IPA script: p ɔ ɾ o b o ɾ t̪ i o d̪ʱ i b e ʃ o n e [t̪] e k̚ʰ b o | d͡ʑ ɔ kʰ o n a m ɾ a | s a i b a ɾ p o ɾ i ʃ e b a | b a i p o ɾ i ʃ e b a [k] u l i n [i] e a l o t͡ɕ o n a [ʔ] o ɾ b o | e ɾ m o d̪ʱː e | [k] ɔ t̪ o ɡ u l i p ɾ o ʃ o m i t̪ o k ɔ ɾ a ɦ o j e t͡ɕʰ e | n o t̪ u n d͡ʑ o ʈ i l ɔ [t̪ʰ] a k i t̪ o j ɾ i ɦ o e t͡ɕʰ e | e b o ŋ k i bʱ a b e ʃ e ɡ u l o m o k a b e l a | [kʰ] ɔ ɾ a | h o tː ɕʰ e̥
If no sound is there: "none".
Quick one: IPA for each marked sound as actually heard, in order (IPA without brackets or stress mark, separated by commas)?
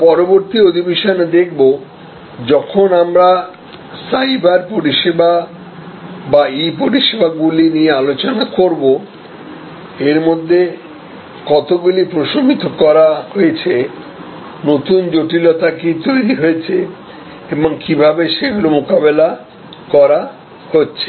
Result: d̪, ɡ, i, k, k, t̪, k